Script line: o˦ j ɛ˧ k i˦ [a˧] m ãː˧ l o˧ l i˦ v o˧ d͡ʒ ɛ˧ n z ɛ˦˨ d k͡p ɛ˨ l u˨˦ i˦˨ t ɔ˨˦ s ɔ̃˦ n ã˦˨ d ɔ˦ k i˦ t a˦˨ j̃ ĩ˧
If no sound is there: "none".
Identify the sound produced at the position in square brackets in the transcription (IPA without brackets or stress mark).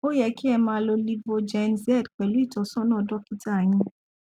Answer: ɛ˧